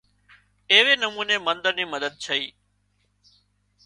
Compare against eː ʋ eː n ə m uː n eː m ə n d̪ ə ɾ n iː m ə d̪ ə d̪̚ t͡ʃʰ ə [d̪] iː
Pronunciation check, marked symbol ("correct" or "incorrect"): incorrect